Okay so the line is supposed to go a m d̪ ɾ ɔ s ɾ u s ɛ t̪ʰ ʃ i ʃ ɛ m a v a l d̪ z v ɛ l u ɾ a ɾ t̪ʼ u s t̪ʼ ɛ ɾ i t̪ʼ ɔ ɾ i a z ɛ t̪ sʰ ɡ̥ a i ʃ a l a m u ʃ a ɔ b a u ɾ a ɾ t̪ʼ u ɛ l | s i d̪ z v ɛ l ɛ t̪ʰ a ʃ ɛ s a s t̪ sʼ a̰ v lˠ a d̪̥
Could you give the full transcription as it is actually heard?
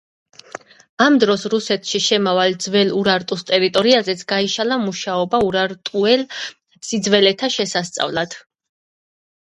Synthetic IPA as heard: a m d̪ ɾ ɔ s ɾ u s ɛ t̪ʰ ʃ i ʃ ɛ m a v a l d̪ z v ɛ l u ɾ a ɾ t̪ʼ u s t̪ʼ ɛ ɾ i t̪ʼ ɔ ɾ i a z ɛ t̪ sʰ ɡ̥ a i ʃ a l a m u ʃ a ɔ b a u ɾ a ɾ t̪ʼ u ɛ l | s i d̪ z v ɛ l ɛ t̪ʰ a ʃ ɛ s a s t̪ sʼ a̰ v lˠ a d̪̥